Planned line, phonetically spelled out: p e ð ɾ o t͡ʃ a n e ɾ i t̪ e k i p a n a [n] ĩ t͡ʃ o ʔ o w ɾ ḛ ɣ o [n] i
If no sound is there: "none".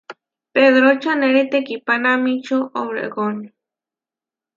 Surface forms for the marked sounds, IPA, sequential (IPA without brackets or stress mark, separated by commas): m, n